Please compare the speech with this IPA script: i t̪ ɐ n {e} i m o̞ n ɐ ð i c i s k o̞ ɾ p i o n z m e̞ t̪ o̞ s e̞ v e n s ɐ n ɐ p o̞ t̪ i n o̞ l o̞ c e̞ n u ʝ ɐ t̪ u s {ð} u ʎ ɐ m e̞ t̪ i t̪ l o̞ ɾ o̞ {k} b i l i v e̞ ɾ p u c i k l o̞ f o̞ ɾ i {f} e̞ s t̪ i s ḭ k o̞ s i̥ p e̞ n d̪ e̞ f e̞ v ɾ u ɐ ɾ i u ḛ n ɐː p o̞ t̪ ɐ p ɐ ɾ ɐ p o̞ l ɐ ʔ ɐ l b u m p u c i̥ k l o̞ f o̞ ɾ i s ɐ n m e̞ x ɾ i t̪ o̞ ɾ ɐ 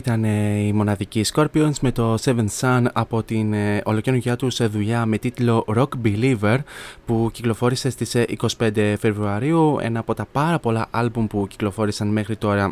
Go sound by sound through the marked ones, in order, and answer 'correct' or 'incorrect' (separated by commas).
correct, correct, correct, incorrect